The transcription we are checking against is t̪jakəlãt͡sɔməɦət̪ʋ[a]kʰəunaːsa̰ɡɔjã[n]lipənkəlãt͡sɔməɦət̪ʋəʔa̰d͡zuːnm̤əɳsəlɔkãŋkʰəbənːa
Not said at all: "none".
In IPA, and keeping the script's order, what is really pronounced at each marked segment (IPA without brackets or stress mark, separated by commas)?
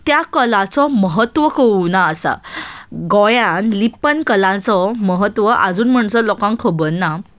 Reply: ə, n